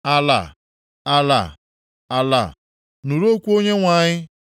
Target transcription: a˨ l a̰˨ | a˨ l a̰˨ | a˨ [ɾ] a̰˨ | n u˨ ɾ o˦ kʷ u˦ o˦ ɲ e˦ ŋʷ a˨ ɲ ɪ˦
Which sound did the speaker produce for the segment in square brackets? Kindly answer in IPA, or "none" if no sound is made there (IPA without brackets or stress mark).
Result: l